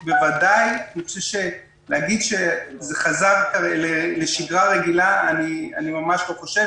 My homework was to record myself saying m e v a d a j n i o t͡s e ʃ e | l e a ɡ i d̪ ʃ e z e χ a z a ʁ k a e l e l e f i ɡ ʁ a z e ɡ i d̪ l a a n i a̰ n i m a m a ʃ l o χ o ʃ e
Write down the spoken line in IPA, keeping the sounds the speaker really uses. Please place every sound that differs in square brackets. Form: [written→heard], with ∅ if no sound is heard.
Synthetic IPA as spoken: [m→b] e v a d a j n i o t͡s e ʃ e | l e a ɡ i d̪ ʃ e z e χ a z a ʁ k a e l e l e [f→ʃ] i ɡ ʁ a [z→ʁ] e ɡ i [d̪→∅] l a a n i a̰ n i m a m a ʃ l o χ o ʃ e